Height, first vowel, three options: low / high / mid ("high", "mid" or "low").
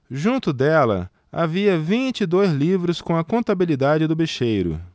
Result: high